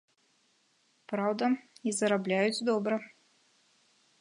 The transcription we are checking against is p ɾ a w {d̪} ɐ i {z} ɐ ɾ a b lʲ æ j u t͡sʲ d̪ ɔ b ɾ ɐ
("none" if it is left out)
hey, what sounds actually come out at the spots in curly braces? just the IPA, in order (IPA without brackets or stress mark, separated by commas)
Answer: d̪, z